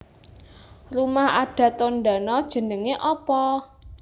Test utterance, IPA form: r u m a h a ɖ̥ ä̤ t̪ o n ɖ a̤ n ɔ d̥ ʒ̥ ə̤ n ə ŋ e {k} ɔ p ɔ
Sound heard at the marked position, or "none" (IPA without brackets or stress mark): ʔ